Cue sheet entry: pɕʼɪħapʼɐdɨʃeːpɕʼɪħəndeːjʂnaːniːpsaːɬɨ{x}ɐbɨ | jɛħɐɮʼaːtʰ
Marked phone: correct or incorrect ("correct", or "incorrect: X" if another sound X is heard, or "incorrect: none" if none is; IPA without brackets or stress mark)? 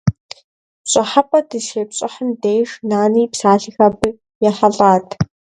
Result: correct